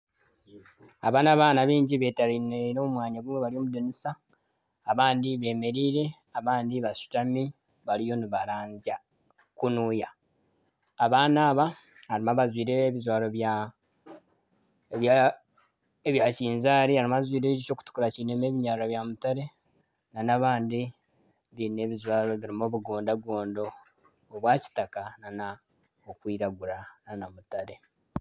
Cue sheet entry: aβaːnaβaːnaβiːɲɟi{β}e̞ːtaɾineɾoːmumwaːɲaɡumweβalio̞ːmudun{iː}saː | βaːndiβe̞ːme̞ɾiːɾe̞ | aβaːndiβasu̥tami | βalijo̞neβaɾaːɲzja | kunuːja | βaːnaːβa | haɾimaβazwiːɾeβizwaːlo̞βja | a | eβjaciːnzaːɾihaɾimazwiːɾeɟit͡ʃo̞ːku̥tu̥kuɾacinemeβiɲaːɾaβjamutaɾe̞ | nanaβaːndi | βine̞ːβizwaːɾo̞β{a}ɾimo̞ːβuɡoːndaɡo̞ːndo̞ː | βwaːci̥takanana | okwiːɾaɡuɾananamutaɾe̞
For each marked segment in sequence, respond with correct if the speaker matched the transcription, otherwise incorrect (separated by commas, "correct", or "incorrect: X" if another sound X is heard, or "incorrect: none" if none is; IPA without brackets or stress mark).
correct, incorrect: i, incorrect: i